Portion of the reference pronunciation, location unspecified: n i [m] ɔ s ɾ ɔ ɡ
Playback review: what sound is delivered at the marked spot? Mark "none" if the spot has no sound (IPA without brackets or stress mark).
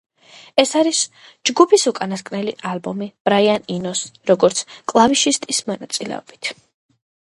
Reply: n